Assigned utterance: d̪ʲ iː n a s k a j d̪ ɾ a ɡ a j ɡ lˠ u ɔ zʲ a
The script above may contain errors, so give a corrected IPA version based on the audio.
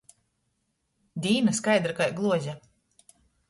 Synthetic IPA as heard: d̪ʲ iː n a s k a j d̪ ɾ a k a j ɡ lˠ u ɔ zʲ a